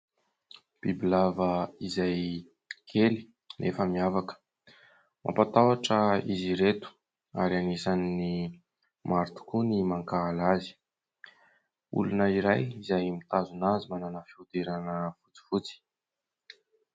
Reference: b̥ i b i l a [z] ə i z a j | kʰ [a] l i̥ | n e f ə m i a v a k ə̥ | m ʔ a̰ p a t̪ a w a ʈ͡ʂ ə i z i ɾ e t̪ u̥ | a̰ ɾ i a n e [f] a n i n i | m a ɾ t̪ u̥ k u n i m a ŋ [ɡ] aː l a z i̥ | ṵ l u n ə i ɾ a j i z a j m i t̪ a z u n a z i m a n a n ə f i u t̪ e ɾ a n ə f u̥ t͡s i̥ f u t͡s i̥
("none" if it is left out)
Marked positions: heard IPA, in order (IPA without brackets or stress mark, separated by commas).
v, e, s, k